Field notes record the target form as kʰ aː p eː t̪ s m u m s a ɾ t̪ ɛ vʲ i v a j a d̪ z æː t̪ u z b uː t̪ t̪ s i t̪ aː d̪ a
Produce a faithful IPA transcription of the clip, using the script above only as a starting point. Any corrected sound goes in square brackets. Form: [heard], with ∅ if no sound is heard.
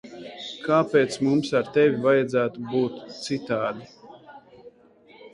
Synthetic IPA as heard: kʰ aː p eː t̪ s m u m s a ɾ t̪ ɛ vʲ i v a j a d̪ z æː t̪ u [∅] b uː t̪ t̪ s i t̪ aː d̪ [i]